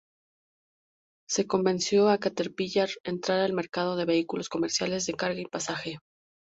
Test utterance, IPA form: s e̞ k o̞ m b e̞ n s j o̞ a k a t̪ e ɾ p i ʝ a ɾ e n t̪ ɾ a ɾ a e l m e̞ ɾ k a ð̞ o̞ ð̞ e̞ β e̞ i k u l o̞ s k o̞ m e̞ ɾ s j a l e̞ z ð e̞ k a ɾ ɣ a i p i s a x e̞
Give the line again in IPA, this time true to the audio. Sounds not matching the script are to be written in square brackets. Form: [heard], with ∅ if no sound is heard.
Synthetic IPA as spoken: s e̞ k o̞ m b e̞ n s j o̞ a k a t̪ e ɾ p i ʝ a ɾ e n t̪ ɾ a ɾ a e l m e̞ ɾ k a ð̞ o̞ ð̞ e̞ β e̞ i k u l o̞ s k o̞ m e̞ ɾ s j a l e̞ z ð e̞ k a ɾ ɣ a i p [a] s a x e̞